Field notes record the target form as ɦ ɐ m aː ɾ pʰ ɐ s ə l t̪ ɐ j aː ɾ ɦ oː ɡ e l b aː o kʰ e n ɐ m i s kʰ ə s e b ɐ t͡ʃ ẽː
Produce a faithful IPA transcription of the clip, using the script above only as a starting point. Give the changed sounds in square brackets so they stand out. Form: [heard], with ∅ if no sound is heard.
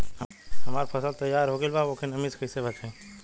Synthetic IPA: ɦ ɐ m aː ɾ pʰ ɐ s ə l t̪ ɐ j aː ɾ ɦ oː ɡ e l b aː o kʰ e n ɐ m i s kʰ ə s e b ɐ t͡ʃ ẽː